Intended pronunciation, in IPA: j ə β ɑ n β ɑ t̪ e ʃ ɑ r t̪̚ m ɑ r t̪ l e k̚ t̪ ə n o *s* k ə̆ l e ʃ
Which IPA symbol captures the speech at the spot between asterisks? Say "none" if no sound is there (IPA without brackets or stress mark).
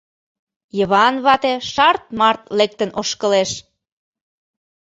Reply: ʃ